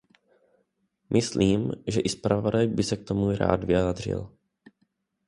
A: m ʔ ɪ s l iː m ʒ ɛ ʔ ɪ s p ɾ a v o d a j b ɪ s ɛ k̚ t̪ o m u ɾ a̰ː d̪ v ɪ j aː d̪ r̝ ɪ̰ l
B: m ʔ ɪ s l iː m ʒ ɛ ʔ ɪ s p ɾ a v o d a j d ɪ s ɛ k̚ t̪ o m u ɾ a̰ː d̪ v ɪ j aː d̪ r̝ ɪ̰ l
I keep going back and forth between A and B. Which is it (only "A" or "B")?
A